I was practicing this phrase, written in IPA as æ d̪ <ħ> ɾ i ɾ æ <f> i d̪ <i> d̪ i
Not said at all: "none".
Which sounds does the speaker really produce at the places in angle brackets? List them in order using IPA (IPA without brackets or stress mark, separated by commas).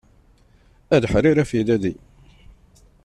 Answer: ħ, f, æ